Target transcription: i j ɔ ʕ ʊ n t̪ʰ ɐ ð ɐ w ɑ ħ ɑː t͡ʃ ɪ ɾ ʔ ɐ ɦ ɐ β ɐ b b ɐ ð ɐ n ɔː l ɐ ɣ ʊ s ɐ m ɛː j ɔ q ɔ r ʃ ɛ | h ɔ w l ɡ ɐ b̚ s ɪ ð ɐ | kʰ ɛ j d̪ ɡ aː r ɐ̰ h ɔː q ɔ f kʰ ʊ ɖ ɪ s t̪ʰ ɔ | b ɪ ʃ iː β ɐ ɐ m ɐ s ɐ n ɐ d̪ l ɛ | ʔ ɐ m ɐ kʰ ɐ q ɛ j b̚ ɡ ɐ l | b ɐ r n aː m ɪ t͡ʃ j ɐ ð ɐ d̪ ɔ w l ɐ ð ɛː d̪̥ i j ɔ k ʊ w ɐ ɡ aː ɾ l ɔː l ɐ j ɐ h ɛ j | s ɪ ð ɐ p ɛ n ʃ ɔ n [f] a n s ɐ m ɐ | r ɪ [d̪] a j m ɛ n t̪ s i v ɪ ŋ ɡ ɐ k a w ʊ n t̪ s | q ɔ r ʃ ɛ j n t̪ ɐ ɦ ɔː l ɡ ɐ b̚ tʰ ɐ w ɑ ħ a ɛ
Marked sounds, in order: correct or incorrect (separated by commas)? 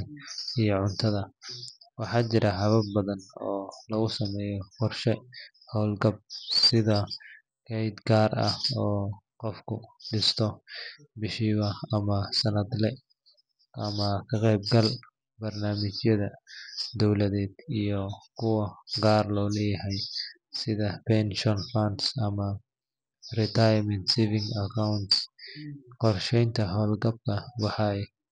correct, incorrect